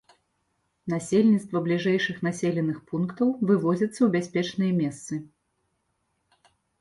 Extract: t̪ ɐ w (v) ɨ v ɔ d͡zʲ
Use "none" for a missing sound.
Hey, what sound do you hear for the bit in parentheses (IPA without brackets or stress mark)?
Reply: v